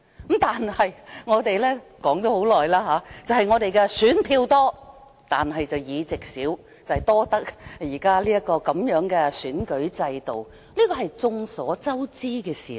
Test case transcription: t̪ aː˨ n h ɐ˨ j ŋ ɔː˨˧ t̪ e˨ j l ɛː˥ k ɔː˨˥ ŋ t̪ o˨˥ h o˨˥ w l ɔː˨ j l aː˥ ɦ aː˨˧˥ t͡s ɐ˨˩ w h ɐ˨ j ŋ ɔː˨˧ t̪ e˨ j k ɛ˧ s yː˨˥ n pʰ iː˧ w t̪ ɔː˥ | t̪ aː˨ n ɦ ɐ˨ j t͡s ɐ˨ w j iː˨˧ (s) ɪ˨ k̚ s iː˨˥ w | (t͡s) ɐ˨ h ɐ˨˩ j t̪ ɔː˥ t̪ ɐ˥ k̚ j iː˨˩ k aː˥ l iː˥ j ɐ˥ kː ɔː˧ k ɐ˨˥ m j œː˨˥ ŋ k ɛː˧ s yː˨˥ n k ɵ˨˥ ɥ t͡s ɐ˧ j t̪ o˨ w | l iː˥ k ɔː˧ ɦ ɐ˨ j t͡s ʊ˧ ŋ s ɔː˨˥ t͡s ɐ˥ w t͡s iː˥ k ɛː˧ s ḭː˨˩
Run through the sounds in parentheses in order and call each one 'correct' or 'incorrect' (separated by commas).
incorrect, correct